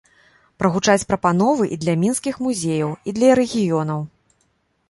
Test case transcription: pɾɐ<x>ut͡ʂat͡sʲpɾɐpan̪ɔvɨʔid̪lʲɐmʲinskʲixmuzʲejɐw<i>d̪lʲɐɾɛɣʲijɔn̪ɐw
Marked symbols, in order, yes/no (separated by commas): no, yes